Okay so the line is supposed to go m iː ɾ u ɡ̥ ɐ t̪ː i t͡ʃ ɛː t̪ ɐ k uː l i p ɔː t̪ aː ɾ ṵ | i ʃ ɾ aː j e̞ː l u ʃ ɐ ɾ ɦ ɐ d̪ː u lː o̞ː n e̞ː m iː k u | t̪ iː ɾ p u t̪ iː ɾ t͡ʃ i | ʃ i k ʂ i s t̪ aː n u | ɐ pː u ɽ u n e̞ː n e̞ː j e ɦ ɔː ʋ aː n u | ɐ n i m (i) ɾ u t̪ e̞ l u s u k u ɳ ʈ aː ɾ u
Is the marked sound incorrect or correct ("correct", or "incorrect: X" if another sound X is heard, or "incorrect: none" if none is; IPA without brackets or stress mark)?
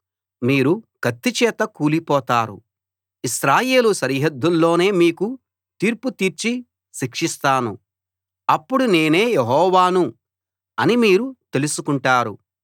incorrect: iː